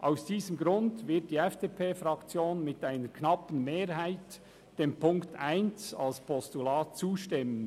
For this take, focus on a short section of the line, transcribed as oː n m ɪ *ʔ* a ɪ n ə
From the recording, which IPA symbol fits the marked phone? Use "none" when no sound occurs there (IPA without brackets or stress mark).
t